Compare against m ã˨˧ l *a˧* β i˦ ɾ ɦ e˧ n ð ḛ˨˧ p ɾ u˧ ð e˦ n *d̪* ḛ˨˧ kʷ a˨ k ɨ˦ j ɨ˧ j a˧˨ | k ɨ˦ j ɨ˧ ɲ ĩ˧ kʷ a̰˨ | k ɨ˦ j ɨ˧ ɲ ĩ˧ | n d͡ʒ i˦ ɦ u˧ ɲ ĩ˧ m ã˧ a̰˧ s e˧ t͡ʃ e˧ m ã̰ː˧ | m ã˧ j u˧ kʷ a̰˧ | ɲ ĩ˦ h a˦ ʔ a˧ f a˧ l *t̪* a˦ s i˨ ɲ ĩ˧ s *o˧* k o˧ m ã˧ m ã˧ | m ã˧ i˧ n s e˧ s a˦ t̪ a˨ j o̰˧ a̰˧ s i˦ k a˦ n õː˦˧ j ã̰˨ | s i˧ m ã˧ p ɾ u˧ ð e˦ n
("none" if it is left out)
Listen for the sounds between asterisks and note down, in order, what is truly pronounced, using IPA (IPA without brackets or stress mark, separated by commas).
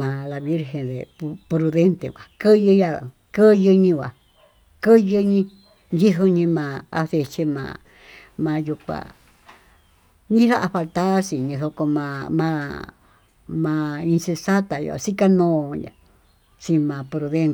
a˧, t̪, t̪, o˧